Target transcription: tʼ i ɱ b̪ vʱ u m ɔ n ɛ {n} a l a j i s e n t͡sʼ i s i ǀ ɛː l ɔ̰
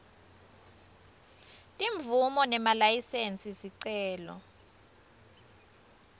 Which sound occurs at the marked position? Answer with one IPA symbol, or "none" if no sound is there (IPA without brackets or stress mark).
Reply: m